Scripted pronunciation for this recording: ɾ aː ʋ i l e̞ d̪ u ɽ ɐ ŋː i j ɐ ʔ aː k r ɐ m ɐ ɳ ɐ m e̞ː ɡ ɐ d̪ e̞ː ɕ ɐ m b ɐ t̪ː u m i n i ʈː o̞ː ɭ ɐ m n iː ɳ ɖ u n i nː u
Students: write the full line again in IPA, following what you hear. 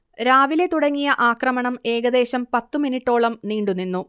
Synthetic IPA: ɾ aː ʋ i l e̞ t̪ u ɽ ɐ ŋː i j ɐ ʔ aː k r ɐ m ɐ ɳ ɐ m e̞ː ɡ ɐ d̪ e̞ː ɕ ɐ m p ɐ t̪ː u m i n i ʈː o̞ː ɭ ɐ m n iː ɳ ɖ u n i nː u